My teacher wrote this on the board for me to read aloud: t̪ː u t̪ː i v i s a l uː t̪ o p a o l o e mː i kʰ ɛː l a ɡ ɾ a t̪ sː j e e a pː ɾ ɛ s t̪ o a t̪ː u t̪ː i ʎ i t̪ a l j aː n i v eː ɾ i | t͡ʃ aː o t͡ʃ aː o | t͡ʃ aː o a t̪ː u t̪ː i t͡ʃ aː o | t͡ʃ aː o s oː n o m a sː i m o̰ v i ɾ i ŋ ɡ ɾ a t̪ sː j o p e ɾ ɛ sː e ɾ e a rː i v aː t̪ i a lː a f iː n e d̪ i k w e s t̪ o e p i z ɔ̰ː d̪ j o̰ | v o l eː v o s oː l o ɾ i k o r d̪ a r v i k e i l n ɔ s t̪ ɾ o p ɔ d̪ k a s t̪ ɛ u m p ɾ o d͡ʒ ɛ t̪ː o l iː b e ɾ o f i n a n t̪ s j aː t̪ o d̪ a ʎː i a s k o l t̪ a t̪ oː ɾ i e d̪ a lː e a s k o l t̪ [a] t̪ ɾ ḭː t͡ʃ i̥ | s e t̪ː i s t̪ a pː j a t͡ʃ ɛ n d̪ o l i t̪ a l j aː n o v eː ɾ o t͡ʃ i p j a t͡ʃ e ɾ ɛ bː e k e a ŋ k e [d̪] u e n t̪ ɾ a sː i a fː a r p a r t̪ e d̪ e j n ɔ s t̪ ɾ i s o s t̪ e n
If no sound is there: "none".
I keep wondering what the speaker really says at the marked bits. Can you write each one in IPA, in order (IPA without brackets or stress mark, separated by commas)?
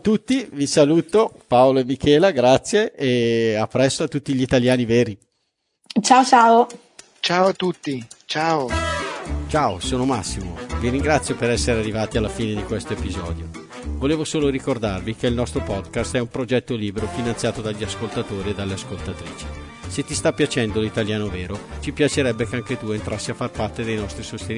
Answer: a, t̪